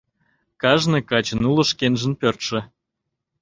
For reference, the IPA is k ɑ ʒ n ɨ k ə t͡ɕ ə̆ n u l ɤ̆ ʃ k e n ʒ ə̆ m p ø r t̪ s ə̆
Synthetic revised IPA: k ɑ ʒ n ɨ k ɑ t͡ɕ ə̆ n u l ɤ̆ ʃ k e n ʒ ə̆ n p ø r t̪ ʃ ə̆